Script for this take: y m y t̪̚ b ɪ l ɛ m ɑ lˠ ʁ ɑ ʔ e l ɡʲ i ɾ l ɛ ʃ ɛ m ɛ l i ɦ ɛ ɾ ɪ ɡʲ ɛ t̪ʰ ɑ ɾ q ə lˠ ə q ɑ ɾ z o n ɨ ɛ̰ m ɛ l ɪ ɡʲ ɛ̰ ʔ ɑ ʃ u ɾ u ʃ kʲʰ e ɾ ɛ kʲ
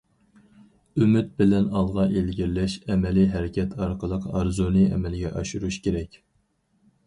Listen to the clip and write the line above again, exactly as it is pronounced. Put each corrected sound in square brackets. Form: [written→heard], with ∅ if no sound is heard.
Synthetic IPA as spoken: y m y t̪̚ b ɪ l ɛ [m→n] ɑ lˠ ʁ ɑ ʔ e l ɡʲ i ɾ l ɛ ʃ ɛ m ɛ l i ɦ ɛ ɾ ɪ [ɡʲ→kʲ] ɛ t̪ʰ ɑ ɾ q ə lˠ ə q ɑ ɾ z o n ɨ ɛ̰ m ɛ l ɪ ɡʲ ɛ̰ ʔ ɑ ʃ u ɾ u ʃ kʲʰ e ɾ ɛ kʲ

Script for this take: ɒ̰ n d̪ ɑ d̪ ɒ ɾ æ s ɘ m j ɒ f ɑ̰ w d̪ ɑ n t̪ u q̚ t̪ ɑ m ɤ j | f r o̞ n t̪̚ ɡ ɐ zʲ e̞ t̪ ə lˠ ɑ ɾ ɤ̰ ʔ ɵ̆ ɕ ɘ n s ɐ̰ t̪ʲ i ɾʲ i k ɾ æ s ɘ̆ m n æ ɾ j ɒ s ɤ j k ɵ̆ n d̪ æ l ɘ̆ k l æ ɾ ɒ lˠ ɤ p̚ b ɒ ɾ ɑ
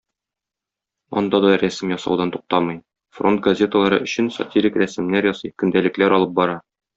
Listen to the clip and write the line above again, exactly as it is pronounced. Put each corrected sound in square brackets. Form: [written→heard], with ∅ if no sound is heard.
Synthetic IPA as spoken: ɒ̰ n d̪ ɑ d̪ ɒ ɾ æ s ɘ m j ɒ [f→s] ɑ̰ w d̪ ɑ n t̪ u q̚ t̪ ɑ m ɤ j | f r o̞ n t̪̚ ɡ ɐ zʲ e̞ t̪ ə lˠ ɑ ɾ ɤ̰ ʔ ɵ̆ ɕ ɘ n s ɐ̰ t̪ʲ i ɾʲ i k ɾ æ s ɘ̆ m n æ ɾ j ɒ s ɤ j k ɵ̆ n d̪ æ l ɘ̆ k l æ ɾ ɒ lˠ ɤ p̚ b ɒ ɾ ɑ

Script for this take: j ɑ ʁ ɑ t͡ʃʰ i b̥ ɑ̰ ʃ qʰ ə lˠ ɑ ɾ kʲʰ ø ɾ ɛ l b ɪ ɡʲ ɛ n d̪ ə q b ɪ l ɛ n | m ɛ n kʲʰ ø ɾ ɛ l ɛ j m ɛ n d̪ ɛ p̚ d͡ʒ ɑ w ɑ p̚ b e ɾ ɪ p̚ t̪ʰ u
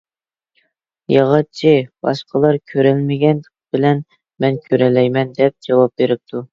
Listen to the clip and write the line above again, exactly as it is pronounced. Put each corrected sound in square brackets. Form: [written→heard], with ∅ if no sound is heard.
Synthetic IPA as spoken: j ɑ ʁ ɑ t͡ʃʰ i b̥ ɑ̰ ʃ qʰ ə lˠ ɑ ɾ kʲʰ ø ɾ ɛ l [b→m] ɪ ɡʲ ɛ n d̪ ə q b ɪ l ɛ n | m ɛ n kʲʰ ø ɾ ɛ l ɛ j m ɛ n d̪ ɛ p̚ d͡ʒ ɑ w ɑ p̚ b e ɾ ɪ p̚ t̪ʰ u

